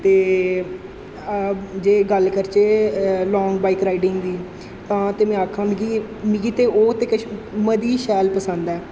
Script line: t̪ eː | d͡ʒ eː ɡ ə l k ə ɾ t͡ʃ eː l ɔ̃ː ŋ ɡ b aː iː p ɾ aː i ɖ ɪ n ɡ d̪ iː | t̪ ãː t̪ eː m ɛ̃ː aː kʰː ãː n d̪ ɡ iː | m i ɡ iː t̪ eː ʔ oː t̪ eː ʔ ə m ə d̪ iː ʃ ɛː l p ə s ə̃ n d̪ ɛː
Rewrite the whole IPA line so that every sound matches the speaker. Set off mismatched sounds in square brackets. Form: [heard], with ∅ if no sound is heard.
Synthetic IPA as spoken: t̪ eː | d͡ʒ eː ɡ ə l k ə ɾ t͡ʃ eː l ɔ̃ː ŋ ɡ b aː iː [k] ɾ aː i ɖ ɪ [ŋ] ɡ d̪ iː | t̪ ãː t̪ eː m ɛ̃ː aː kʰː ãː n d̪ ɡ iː | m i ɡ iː t̪ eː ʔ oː t̪ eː [k] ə m ə d̪ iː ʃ ɛː l p ə s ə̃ n d̪ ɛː